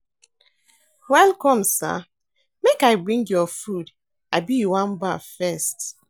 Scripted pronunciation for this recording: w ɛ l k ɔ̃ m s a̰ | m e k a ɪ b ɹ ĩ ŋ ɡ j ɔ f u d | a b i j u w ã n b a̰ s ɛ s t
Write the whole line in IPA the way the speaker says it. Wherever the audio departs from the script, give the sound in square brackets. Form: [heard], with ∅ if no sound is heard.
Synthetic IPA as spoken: w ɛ l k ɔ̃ m s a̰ | m e k a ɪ b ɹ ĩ ŋ ɡ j ɔ f u d | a b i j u w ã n b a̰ [f] ɛ s t